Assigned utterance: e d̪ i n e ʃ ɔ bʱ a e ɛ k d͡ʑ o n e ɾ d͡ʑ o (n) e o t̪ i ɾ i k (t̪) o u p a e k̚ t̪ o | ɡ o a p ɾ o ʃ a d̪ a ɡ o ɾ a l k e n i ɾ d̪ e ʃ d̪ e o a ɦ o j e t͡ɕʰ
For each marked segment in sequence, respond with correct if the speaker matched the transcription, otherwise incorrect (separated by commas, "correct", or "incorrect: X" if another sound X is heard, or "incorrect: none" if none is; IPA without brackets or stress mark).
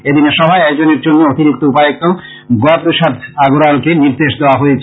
incorrect: nː, correct